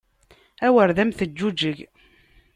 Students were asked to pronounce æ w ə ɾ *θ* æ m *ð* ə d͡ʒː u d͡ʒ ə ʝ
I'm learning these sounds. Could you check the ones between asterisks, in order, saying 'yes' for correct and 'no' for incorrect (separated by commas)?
no, no